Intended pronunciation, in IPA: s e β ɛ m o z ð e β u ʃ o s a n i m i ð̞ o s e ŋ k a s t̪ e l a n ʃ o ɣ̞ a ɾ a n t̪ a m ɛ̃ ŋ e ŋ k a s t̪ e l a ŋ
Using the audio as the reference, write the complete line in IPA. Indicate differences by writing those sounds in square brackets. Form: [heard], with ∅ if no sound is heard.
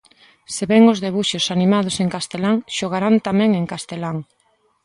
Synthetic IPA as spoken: s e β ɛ [ŋ] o z ð e β u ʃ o s a n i m [a] ð̞ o s e ŋ k a s t̪ e l a [ŋ] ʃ o ɣ̞ a ɾ a n t̪ a m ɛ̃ ŋ e ŋ k a s t̪ e l a ŋ